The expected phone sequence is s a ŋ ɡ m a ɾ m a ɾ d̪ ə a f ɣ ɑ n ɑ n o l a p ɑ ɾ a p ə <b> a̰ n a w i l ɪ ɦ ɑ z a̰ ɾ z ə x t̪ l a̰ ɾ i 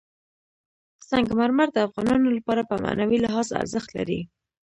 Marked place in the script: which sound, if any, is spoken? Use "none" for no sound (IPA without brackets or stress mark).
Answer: m